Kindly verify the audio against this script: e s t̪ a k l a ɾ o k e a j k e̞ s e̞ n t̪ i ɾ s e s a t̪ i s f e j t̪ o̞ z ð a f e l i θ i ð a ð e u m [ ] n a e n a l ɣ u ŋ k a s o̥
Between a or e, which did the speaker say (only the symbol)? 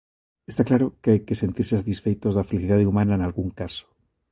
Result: a